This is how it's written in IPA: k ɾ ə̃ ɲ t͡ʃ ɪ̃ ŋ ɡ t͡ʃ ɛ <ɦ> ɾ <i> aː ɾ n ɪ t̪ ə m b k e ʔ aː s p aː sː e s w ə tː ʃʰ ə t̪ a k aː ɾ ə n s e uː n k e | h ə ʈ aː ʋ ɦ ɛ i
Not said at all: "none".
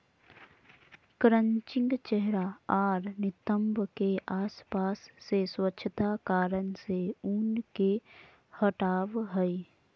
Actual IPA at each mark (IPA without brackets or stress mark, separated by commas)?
ɦ, a